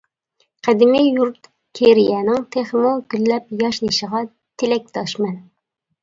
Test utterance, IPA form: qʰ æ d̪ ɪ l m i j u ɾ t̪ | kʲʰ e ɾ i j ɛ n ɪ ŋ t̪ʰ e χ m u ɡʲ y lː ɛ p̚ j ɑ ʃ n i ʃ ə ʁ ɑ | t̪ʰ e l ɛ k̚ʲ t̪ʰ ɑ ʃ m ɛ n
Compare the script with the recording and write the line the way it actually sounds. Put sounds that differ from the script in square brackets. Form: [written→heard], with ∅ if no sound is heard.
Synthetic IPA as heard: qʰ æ d̪ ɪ [l→∅] m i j u ɾ t̪ | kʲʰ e ɾ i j ɛ n ɪ ŋ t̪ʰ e χ m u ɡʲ y lː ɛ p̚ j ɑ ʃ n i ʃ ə ʁ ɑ | t̪ʰ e l ɛ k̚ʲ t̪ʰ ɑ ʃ m ɛ n

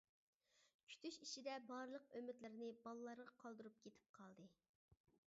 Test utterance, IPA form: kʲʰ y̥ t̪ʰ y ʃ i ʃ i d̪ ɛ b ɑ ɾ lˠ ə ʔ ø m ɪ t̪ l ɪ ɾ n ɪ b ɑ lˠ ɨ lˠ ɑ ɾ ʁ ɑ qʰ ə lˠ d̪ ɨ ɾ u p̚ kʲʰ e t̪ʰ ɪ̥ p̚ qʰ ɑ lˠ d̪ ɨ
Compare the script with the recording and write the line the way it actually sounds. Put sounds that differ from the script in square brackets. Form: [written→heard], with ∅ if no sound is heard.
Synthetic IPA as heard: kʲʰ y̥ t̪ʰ y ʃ i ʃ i d̪ ɛ b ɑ ɾ lˠ ə [ʔ→q] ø m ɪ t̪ l ɪ ɾ n ɪ b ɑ lˠ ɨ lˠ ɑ ɾ ʁ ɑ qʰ [ə→ɑ] lˠ d̪ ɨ ɾ u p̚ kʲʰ e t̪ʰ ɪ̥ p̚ qʰ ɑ lˠ d̪ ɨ

